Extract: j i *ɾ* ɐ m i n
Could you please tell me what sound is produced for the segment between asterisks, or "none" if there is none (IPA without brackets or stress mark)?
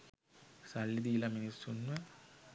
l